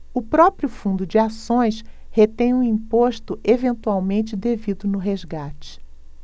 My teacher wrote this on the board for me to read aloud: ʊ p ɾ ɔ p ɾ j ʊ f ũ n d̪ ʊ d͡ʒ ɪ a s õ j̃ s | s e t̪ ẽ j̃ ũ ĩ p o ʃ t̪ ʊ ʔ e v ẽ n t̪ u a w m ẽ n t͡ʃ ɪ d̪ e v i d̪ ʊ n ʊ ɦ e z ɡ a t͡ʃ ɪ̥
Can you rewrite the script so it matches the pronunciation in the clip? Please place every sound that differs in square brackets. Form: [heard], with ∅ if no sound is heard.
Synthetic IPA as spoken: ʊ p ɾ ɔ p ɾ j ʊ f ũ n d̪ ʊ d͡ʒ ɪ a s õ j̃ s | [h] e t̪ ẽ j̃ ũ ĩ p o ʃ t̪ ʊ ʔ e v ẽ n t̪ u a w m ẽ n t͡ʃ ɪ d̪ e v i d̪ ʊ n ʊ ɦ e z ɡ a t͡ʃ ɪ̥